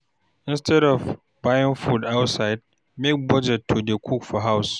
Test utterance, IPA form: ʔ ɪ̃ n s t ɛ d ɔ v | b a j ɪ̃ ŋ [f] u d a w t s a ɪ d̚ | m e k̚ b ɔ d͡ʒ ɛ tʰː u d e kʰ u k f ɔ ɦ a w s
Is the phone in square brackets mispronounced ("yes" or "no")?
no